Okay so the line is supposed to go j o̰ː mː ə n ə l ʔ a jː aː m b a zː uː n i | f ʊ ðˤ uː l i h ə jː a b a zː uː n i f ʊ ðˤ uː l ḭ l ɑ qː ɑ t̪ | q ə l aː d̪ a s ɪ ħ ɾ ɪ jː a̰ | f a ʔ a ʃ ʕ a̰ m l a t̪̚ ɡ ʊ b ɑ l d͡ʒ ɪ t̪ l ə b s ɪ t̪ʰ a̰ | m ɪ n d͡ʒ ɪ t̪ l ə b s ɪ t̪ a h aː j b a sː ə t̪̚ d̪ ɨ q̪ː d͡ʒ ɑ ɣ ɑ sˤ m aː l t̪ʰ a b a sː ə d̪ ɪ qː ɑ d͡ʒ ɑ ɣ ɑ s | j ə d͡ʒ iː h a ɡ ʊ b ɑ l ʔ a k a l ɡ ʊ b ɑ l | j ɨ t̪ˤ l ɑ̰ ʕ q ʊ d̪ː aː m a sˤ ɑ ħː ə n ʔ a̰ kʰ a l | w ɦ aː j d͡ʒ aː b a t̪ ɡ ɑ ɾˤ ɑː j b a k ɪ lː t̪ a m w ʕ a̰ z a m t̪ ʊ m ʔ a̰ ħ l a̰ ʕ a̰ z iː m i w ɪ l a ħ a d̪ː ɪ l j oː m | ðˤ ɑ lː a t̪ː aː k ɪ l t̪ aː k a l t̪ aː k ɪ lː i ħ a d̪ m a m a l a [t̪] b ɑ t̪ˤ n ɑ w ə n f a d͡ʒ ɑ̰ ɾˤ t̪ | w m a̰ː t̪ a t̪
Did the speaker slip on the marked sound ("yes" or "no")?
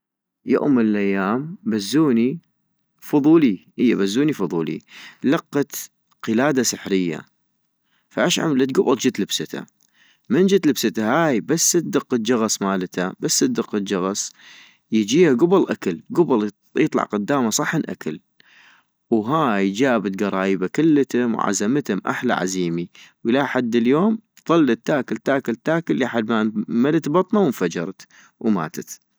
no